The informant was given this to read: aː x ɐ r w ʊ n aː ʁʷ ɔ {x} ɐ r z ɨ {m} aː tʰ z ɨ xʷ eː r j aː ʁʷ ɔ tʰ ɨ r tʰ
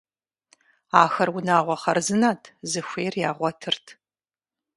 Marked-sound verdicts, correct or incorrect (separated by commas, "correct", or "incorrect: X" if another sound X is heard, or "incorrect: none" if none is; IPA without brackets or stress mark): incorrect: χ, incorrect: n